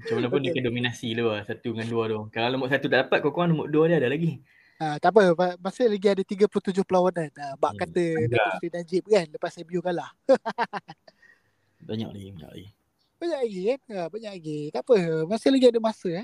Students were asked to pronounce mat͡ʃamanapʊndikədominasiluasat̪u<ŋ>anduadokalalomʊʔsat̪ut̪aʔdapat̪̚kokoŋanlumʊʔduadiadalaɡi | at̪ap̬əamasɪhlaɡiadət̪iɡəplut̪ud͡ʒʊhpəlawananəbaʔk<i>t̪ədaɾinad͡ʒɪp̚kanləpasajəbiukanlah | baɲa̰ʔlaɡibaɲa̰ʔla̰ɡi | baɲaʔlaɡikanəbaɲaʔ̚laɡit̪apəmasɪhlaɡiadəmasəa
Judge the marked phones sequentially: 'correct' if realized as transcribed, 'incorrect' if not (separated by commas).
correct, incorrect